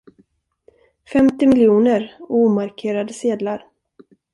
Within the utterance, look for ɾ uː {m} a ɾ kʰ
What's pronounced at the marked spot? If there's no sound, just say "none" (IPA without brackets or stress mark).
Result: m